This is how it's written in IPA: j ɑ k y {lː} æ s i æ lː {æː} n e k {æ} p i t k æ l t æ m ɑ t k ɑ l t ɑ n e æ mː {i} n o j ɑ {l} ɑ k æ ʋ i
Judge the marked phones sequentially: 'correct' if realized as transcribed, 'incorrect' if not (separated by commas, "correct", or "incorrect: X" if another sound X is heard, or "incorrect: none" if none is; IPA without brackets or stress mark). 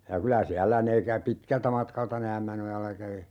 incorrect: l, incorrect: æ, correct, incorrect: æ, incorrect: lː